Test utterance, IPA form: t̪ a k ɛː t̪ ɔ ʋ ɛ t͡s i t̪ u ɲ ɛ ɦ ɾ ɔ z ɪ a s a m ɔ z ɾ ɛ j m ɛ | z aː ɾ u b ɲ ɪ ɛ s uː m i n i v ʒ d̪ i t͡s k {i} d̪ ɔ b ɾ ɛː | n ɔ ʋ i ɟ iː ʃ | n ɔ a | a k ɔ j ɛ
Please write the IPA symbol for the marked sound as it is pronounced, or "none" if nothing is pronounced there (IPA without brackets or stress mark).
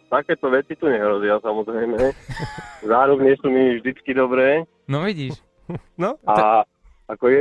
i